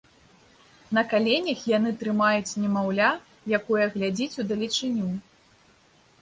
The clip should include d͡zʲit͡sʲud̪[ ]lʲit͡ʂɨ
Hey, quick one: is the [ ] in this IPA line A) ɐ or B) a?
A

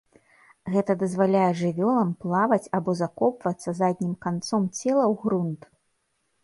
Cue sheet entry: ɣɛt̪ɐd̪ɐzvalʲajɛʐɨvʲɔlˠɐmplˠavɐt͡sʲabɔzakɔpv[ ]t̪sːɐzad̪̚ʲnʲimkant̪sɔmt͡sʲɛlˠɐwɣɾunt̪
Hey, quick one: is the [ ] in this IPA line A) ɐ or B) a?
A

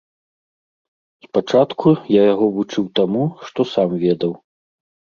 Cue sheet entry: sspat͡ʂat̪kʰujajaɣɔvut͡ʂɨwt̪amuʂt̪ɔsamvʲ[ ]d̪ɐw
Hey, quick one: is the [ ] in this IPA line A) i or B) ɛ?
B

